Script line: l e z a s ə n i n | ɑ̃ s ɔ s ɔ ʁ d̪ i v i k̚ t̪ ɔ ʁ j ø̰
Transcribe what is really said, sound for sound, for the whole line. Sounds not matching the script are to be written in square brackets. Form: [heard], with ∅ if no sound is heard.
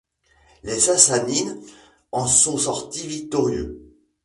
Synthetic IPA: l e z a s [a] n i n | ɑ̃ s [ɔ̃] s ɔ ʁ [t̪] i v i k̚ t̪ ɔ ʁ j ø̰